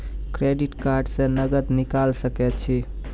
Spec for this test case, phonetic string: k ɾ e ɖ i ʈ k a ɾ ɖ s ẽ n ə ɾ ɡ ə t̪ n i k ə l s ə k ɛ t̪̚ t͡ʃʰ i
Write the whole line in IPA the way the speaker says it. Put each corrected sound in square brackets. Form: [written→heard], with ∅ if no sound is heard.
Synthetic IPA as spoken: k ɾ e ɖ i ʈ k a ɾ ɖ s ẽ n ə [ɾ→∅] ɡ ə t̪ n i k [ə→a] l s ə k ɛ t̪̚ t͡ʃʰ i